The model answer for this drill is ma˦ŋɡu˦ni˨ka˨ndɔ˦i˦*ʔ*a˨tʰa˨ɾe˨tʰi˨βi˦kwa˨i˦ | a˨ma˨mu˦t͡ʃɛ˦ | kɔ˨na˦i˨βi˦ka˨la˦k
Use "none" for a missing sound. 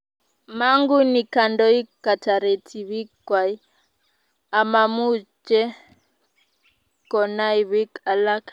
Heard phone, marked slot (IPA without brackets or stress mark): k